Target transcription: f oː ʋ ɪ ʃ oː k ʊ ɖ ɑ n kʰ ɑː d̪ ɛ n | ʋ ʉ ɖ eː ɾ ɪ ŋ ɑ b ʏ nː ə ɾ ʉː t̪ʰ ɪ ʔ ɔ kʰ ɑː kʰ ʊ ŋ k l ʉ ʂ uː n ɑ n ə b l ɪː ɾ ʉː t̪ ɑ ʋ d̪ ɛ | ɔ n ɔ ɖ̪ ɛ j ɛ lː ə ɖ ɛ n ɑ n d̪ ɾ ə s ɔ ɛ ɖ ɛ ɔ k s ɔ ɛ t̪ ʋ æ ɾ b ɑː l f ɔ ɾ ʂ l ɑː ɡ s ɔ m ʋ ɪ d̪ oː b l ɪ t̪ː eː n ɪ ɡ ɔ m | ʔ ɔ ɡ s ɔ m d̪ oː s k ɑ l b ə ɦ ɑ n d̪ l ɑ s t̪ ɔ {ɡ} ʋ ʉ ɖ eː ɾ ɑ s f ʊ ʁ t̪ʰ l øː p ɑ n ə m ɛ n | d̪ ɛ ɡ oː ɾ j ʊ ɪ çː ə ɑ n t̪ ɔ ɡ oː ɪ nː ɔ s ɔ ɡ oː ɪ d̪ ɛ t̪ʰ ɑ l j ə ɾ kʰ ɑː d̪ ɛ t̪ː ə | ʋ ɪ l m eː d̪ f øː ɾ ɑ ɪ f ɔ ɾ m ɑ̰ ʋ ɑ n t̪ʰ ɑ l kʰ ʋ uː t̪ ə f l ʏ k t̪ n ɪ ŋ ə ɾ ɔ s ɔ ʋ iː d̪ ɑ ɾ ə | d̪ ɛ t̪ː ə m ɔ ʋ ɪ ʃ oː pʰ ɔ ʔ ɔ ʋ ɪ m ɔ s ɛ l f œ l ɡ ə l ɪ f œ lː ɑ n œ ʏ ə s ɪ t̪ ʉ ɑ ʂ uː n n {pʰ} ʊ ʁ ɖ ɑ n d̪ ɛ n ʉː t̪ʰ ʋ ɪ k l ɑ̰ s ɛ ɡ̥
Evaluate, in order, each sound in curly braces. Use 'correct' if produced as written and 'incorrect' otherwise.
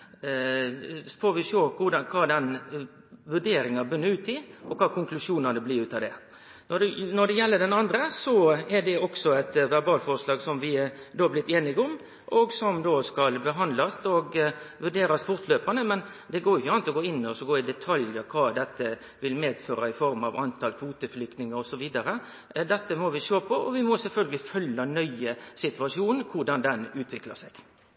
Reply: correct, incorrect

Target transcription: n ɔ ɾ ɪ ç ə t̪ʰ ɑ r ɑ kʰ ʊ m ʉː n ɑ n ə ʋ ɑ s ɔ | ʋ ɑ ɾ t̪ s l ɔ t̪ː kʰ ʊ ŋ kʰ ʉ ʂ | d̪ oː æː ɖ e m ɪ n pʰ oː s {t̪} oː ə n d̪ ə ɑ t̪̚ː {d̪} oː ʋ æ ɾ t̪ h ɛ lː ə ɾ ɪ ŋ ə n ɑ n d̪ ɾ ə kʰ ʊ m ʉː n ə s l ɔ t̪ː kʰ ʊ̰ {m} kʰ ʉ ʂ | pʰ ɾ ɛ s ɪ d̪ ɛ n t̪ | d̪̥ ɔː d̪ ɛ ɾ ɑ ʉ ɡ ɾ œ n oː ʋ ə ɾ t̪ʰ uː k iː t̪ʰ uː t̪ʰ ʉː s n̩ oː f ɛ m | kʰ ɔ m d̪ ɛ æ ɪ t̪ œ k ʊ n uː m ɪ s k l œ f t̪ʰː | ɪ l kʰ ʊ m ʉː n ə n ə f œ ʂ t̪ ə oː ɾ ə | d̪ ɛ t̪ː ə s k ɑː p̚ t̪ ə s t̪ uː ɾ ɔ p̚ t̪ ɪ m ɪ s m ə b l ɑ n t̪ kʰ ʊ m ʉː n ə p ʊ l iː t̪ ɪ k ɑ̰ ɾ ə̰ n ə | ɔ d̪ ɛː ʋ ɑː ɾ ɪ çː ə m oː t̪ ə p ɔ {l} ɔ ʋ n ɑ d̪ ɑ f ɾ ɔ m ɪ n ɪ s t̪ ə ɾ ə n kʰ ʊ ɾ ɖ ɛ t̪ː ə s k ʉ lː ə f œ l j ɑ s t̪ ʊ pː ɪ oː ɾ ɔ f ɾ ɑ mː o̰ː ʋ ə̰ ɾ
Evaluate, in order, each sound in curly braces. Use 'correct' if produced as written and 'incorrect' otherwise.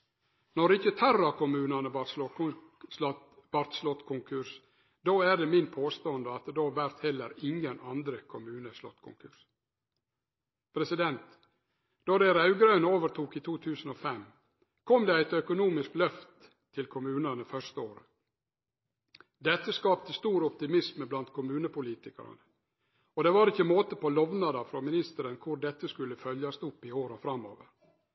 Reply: correct, correct, incorrect, correct

